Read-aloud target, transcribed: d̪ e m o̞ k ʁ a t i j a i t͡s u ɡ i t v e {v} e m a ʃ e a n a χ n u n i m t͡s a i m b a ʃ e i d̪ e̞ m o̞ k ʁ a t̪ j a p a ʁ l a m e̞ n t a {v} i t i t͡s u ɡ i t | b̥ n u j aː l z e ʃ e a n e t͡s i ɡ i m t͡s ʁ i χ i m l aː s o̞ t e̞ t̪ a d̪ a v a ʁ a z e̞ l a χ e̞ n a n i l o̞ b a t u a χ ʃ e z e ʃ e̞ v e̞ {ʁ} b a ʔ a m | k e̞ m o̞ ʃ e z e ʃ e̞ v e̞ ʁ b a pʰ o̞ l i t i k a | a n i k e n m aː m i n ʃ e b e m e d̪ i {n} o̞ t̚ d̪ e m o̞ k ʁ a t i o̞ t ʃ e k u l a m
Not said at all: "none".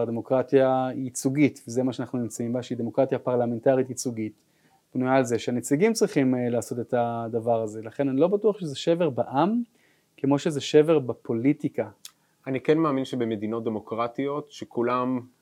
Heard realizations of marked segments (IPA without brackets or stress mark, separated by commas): z, ʁ, ʁ, n